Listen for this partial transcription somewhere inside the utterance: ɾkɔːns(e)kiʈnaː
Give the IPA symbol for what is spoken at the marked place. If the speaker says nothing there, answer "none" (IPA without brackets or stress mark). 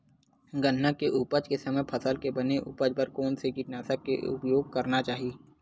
e